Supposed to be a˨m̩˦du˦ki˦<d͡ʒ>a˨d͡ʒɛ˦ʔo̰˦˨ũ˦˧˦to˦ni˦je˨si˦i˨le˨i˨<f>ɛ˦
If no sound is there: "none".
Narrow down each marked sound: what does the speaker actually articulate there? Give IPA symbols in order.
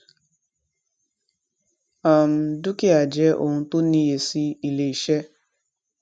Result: none, ʃ

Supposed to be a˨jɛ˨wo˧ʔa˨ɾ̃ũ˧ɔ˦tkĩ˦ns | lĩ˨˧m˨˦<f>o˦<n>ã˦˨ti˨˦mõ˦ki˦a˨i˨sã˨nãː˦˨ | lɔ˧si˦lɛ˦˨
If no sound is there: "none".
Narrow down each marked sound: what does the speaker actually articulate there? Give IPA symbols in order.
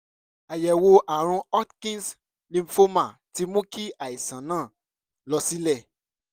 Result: f, m

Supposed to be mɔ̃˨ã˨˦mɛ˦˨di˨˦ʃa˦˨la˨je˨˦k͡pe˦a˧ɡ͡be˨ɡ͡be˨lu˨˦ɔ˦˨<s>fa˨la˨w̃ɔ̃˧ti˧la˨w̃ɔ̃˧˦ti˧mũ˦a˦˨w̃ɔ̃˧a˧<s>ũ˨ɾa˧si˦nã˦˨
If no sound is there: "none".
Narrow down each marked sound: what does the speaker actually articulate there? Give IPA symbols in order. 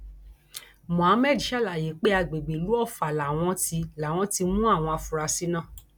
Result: none, f

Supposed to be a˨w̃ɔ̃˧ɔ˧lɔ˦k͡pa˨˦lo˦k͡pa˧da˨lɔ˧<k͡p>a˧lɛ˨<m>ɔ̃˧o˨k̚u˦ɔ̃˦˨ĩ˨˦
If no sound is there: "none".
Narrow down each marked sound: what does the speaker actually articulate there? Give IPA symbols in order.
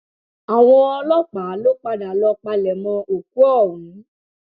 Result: k͡p, m

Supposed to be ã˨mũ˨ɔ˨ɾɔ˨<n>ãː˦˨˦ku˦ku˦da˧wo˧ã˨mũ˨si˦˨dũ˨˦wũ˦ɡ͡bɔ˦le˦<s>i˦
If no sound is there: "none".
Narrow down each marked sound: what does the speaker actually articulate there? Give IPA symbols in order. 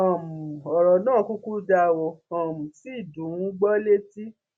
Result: n, t

